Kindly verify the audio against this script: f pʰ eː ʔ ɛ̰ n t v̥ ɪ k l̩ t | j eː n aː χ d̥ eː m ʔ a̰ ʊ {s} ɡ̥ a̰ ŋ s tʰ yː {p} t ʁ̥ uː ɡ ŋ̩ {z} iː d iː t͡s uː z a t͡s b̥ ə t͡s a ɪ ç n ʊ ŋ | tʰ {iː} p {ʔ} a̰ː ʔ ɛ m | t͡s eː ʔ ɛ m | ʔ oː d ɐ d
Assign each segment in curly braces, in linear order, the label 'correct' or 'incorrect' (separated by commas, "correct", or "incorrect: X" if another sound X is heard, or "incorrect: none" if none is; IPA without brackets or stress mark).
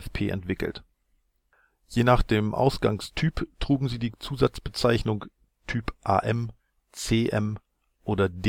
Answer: correct, correct, correct, incorrect: yː, correct